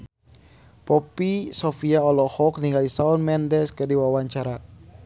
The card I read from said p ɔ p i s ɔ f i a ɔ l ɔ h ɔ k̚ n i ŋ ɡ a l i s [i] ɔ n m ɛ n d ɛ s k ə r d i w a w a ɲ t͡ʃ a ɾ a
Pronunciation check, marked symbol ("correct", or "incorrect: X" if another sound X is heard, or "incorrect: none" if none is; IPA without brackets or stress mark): incorrect: a